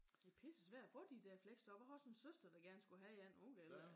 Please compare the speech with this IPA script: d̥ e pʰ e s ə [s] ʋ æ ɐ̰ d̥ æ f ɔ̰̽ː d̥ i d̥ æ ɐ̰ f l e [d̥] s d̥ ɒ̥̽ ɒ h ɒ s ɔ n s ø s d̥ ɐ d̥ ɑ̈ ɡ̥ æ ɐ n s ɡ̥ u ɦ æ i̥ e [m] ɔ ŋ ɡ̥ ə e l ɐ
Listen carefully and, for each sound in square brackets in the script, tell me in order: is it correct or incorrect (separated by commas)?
correct, incorrect, incorrect